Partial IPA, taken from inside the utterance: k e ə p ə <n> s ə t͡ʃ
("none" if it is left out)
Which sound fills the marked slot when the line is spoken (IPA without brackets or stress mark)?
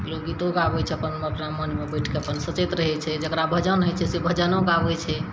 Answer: n